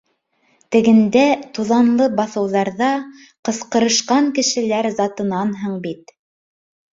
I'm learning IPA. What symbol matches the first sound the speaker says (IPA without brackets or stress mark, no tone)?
t̪